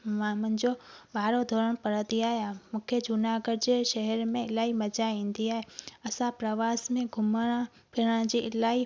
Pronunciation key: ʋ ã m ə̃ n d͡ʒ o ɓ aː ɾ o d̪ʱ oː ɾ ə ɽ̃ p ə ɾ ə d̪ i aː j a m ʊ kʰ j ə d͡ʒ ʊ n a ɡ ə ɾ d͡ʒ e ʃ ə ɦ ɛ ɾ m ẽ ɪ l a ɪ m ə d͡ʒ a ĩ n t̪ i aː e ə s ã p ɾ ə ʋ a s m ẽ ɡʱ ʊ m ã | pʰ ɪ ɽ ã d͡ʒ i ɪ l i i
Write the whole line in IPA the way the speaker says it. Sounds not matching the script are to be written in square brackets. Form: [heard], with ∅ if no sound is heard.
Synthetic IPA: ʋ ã m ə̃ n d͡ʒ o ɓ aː ɾ o d̪ʱ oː ɾ ə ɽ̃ p ə ɾ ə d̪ i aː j a m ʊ kʰ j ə d͡ʒ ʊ n a ɡ ə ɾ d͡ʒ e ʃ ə ɦ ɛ ɾ m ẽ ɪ l a [i] m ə d͡ʒ a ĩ n [d̪] i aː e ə s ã p ɾ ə ʋ a s m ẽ ɡʱ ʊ m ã | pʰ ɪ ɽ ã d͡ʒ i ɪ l [a] i

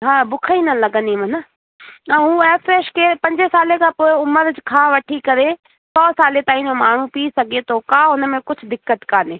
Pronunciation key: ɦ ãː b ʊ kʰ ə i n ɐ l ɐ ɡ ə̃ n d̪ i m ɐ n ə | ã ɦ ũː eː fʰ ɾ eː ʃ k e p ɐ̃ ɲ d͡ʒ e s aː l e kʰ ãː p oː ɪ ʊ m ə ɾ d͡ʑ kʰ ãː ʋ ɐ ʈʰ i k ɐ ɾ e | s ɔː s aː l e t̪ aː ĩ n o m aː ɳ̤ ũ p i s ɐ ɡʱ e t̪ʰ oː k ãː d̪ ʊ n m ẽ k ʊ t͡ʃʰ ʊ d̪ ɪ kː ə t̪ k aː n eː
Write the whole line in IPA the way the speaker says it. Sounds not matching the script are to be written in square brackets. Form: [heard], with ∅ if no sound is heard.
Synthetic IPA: ɦ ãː b ʊ kʰ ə i n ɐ l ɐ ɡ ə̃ n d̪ i m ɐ n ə | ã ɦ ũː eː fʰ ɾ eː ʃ k e p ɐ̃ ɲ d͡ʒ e s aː l e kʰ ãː p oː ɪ ʊ m ə ɾ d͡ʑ kʰ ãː ʋ ɐ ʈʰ i k ɐ ɾ e | s ɔː s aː l e t̪ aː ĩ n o m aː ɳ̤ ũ p i s ɐ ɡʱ e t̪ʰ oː k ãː [∅] ʊ n m ẽ k ʊ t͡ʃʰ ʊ d̪ ɪ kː ə t̪ k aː n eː

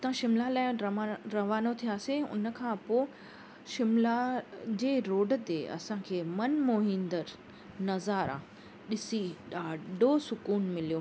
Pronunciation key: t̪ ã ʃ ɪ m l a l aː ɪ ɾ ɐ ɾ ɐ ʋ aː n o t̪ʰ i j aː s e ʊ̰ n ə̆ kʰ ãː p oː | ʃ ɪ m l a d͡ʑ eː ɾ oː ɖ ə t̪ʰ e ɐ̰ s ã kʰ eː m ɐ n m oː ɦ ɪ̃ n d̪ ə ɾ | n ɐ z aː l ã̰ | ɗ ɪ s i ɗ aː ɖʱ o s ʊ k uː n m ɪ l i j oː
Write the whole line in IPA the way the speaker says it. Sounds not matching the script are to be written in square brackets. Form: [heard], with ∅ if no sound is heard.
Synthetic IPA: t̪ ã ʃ ɪ m l a l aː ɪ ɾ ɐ ɾ ɐ ʋ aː n o t̪ʰ i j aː s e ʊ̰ n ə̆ kʰ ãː p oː | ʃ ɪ m l a d͡ʑ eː ɾ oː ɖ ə [t̪] e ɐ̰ s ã kʰ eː m ɐ n m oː ɦ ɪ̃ n d̪ ə ɾ | n ɐ z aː [ɾ] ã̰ | ɗ ɪ s i ɗ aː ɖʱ o s ʊ k uː n m ɪ l i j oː

